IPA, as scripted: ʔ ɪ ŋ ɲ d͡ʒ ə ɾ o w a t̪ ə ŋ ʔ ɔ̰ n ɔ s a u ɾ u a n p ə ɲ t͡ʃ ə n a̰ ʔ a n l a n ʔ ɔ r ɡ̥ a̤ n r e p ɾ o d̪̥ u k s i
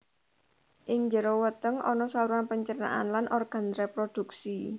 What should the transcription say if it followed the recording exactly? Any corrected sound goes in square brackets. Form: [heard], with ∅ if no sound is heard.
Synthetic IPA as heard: ʔ ɪ ŋ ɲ d͡ʒ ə ɾ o w [ə] t̪ ə ŋ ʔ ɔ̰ n ɔ s a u ɾ u a n p ə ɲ t͡ʃ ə n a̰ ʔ a n l a n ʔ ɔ r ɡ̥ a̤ n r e p ɾ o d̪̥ u k s i